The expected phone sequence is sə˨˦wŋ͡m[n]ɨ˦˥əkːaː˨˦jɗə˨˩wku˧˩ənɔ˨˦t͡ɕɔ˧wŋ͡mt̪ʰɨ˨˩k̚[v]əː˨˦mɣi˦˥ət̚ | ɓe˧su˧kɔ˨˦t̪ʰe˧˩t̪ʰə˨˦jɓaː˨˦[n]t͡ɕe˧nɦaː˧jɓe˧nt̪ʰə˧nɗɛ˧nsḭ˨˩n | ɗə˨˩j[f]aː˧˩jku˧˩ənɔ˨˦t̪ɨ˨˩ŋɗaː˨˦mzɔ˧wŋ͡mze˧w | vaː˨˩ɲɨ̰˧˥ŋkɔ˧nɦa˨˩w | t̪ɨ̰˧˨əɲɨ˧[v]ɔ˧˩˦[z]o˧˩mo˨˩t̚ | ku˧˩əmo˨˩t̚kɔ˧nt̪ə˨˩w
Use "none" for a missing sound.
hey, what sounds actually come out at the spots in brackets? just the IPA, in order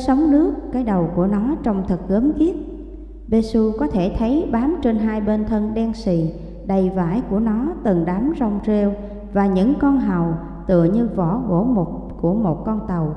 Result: n, ɣ, m, v, v, ɣ

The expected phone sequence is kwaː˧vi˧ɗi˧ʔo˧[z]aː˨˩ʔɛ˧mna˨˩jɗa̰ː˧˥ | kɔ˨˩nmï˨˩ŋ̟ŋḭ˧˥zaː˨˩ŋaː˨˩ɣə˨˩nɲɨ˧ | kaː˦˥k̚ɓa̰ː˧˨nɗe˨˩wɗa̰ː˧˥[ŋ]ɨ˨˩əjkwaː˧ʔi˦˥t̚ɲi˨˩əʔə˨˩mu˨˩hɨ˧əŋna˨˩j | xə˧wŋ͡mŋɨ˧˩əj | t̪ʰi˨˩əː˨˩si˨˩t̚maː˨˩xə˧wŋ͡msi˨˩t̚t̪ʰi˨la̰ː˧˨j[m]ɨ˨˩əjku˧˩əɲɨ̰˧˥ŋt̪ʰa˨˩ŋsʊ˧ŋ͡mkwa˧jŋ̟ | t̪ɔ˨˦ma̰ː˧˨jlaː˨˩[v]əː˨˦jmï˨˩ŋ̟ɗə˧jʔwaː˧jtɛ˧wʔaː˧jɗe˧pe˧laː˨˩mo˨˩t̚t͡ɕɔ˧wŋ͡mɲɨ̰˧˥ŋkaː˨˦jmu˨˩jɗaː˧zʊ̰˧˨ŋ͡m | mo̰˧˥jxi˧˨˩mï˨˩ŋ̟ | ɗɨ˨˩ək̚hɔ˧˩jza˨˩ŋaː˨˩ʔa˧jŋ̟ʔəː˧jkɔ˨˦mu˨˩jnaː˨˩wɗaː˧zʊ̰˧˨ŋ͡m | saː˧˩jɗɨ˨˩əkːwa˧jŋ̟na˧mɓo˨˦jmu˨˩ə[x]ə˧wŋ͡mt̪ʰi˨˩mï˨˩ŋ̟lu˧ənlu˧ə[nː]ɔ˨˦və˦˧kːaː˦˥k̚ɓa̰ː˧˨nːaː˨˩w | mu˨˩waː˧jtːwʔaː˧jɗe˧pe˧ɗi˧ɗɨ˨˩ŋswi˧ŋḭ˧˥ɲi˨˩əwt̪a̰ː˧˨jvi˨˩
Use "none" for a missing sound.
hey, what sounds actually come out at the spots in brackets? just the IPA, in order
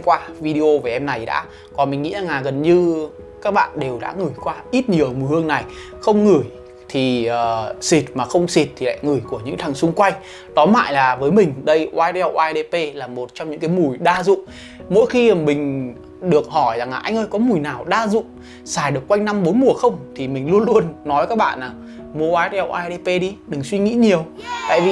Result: v, ŋ, ŋ, v, x, nː

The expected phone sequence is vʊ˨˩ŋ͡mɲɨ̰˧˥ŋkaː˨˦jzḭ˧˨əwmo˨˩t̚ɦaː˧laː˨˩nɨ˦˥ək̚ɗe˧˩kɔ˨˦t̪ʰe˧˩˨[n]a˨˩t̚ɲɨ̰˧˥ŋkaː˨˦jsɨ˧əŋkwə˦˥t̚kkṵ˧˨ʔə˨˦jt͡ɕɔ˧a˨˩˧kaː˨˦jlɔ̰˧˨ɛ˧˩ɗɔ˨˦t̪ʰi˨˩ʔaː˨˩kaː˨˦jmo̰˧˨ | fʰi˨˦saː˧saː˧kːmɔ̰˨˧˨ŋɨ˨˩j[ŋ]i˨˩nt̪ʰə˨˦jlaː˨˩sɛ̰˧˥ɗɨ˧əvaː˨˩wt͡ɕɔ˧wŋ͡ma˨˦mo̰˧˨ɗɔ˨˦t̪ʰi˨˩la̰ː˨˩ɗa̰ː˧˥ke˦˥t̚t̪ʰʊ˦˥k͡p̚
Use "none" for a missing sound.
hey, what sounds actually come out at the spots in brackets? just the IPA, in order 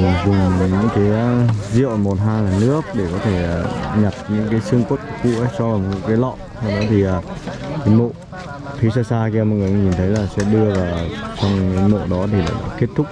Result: ɲ, ɲ

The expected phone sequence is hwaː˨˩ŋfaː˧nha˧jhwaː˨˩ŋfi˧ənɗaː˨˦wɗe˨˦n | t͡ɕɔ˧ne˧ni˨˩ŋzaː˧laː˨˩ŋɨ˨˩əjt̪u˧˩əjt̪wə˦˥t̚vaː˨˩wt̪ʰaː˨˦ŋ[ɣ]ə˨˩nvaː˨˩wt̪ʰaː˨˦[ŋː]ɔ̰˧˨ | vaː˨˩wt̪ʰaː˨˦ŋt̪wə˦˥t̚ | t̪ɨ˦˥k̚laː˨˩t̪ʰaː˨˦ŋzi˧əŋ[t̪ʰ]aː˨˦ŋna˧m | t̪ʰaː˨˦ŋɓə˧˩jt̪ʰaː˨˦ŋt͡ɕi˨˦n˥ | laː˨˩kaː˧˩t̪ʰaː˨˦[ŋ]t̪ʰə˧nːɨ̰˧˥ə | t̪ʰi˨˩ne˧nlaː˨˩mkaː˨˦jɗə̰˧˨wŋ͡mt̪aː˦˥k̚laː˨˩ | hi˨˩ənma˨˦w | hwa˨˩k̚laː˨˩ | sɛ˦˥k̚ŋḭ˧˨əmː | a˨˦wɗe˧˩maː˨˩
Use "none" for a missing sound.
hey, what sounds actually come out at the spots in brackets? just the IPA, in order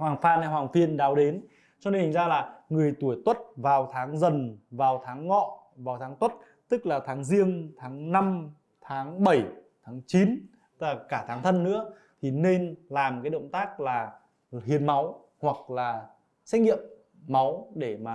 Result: z, ŋː, t̪ʰ, ŋ

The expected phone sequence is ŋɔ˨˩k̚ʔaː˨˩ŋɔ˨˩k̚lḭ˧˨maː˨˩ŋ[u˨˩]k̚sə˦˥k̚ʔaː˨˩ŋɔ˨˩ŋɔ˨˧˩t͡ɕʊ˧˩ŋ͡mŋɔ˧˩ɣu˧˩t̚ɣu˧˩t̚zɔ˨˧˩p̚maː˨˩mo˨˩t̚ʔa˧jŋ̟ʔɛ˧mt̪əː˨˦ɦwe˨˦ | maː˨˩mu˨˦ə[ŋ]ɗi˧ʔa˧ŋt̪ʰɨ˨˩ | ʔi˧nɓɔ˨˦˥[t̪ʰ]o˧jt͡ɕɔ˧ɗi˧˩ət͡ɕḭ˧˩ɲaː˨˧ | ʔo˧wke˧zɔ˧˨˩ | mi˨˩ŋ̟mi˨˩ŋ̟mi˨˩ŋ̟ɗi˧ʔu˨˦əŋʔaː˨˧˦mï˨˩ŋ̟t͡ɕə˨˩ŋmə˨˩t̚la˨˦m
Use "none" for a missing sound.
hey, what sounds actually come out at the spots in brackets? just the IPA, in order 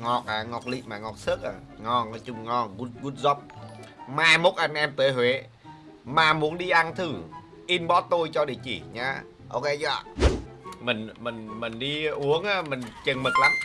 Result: ɔ˨˩, n, t̪

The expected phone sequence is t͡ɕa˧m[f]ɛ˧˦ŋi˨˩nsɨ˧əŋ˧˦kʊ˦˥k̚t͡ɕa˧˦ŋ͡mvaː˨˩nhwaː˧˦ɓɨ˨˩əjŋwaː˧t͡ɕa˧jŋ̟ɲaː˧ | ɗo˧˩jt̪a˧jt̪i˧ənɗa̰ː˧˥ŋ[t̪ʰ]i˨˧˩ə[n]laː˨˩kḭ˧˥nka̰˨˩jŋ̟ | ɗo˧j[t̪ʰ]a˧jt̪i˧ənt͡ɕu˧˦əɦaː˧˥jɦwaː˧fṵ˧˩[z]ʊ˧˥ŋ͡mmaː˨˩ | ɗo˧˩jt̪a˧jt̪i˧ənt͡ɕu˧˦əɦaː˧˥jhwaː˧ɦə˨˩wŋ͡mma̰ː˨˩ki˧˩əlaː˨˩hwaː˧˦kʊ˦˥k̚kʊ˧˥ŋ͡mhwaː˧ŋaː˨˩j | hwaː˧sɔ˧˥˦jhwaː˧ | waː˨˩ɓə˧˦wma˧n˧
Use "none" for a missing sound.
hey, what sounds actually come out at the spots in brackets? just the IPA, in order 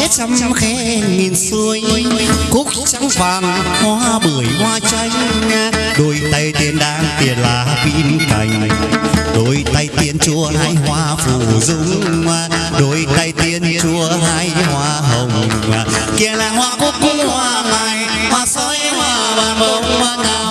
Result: x, t̪, n, t̪, z

